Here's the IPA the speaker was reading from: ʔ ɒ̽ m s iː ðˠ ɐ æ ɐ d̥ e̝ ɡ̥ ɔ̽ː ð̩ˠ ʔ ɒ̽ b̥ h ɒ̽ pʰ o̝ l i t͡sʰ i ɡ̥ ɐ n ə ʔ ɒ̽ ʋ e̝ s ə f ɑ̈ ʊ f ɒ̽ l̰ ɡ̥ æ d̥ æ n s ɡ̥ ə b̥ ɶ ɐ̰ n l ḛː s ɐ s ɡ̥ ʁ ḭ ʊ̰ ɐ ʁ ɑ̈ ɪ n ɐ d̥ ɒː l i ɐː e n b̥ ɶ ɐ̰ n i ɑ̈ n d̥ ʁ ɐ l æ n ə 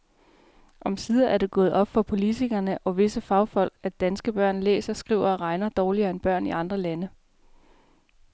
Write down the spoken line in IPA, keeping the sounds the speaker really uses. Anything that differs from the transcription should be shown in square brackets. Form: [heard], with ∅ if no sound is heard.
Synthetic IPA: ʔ ɒ̽ m s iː ðˠ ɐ æ ɐ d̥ e̝ ɡ̥ ɔ̽ː ð̩ˠ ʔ ɒ̽ b̥ [f] ɒ̽ pʰ o̝ l i t͡sʰ i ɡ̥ ɐ n ə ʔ ɒ̽ ʋ e̝ s ə f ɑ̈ ʊ f ɒ̽ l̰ ɡ̥ æ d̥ æ n s ɡ̥ ə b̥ ɶ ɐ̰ n l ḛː s ɐ s ɡ̥ ʁ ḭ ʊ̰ ɐ ʁ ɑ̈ ɪ n ɐ d̥ ɒː l i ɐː e n b̥ ɶ ɐ̰ n i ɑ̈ n d̥ ʁ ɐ l æ n ə